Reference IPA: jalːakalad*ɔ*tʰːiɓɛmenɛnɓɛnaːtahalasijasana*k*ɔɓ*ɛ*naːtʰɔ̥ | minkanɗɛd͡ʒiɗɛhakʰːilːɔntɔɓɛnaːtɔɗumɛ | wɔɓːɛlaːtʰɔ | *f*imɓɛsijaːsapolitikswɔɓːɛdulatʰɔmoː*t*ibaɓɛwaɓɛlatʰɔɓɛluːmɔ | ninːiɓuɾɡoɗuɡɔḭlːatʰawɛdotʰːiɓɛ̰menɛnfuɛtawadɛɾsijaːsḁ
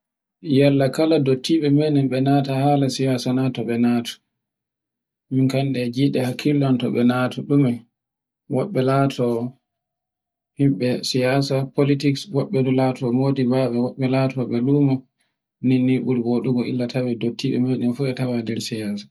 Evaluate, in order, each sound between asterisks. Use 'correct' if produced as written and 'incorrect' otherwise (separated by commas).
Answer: incorrect, incorrect, correct, incorrect, incorrect